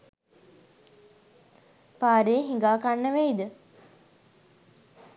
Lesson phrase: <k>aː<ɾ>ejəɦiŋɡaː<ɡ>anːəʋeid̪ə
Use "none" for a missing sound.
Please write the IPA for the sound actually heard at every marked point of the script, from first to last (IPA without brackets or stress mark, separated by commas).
p, ɾ, k